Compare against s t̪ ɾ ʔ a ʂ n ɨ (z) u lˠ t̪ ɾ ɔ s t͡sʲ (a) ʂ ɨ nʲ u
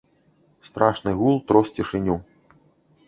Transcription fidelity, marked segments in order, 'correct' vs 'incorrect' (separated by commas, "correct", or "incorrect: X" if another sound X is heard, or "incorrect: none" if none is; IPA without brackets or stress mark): incorrect: ɣ, incorrect: i